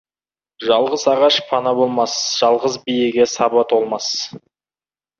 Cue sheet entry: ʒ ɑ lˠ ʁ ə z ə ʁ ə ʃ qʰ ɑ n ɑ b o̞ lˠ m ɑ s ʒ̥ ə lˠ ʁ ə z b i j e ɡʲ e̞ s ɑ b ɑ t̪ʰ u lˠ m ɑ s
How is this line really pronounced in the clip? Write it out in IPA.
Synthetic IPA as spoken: ʒ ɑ lˠ ʁ ə z ɑ ʁ ɑ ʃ pʰ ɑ n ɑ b o̞ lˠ m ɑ s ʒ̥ ɑ lˠ ʁ ə z b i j e ɡʲ e̞ s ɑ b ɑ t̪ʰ o lˠ m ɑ s